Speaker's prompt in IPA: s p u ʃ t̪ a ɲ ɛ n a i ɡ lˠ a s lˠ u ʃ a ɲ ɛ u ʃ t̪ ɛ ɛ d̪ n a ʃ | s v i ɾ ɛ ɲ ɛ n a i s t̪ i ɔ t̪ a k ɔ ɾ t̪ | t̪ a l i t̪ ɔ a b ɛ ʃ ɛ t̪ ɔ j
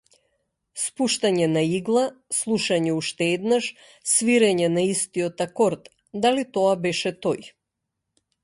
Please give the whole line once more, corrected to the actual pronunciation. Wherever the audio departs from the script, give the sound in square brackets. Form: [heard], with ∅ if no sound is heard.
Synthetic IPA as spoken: s p u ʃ t̪ a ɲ ɛ n a i ɡ lˠ a s lˠ u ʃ a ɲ ɛ u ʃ t̪ ɛ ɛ d̪ n a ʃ | s v i ɾ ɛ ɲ ɛ n a i s t̪ i ɔ t̪ a k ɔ ɾ t̪ | [d̪] a l i t̪ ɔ a b ɛ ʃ ɛ t̪ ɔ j